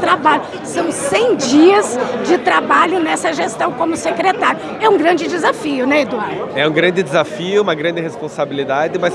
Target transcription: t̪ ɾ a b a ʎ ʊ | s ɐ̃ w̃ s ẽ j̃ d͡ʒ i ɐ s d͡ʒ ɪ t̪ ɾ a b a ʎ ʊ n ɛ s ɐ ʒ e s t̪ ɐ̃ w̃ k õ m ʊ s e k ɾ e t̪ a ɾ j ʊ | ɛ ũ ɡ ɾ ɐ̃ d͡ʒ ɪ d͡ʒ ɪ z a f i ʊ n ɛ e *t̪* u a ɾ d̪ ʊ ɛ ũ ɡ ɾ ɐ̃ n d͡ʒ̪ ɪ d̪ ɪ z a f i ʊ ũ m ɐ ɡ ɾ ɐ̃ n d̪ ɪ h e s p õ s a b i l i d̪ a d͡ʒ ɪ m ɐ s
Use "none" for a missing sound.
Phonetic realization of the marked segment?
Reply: d̪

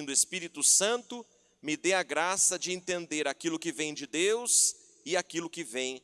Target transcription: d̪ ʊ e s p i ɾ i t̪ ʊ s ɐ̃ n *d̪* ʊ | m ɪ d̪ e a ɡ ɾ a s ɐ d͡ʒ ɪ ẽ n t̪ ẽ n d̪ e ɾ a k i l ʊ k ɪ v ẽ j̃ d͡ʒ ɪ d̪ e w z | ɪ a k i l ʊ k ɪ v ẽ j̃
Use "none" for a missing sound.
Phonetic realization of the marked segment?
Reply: t̪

